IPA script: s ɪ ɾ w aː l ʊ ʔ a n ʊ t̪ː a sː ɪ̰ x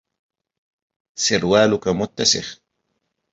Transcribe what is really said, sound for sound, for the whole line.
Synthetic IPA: s ɪ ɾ w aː l ʊ k a m ʊ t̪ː a s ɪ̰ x